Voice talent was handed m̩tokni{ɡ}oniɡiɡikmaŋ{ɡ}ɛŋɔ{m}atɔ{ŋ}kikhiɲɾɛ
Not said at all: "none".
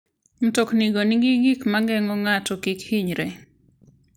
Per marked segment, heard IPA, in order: ɡ, ɡ, ŋ, none

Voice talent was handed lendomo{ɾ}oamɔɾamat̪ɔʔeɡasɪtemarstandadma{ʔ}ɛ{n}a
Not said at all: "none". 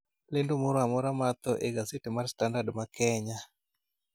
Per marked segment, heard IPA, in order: ɾ, k, ɲ

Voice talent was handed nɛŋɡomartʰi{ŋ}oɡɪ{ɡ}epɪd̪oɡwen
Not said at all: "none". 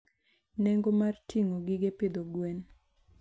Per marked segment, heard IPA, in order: ŋ, ɡ

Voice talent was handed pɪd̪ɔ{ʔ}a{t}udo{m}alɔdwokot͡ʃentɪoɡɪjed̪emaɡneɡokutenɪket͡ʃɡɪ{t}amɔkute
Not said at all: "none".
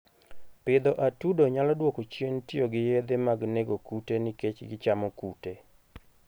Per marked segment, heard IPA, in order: ʔ, t, ɲ, t͡ʃ

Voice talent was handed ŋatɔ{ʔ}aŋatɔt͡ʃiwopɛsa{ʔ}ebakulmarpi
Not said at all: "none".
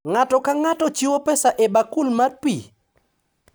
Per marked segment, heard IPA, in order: k, ʔ

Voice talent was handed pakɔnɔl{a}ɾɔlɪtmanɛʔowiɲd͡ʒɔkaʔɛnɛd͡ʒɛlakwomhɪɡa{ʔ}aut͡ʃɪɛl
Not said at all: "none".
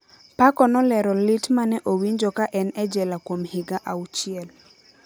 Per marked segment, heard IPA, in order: ɛ, ʔ

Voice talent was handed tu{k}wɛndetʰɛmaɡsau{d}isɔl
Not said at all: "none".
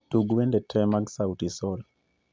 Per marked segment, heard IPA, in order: ɡ, t

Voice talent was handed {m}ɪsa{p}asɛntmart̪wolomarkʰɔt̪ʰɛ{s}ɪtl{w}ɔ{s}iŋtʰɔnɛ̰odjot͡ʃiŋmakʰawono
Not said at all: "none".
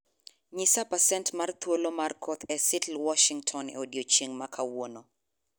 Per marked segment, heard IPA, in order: ɲ, p, s, w, ʃ

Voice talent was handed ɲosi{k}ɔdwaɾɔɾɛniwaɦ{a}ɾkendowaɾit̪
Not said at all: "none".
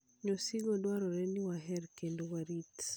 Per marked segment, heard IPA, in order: ɡ, ɛ

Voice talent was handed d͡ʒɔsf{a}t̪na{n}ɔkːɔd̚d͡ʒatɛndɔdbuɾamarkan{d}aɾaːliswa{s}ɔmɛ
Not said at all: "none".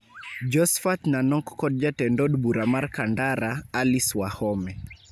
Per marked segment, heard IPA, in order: a, n, d, h

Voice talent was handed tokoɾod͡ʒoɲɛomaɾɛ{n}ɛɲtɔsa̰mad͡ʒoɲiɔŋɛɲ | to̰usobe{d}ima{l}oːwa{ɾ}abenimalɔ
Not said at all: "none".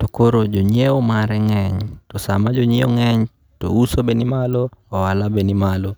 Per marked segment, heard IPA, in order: ŋ, n, l, l

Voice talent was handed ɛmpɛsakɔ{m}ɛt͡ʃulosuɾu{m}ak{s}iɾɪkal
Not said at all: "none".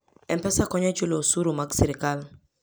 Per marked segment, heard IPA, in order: ɲ, m, s

